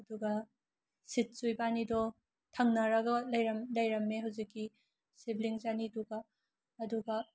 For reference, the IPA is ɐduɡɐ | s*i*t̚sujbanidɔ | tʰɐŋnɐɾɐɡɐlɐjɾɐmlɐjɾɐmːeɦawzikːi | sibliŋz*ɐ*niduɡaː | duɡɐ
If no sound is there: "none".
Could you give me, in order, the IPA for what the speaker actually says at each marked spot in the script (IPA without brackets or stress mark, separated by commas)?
i, a